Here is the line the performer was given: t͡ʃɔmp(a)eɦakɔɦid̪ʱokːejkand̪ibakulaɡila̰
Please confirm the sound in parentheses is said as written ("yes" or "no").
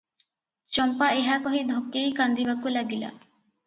yes